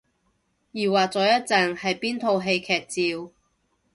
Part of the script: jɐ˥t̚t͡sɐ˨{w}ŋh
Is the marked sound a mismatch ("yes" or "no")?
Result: yes